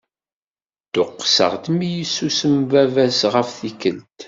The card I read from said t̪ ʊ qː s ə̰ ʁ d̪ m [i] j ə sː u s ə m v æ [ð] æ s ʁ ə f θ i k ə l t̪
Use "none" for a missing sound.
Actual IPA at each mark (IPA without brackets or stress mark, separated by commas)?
i, v